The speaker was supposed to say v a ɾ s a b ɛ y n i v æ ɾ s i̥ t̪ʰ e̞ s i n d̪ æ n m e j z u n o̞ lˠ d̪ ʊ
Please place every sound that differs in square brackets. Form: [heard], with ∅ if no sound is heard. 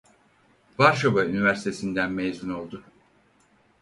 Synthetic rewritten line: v a ɾ [ʃ] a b [a] y n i v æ ɾ s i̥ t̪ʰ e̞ s i n d̪ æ n m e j z u n o̞ lˠ d̪ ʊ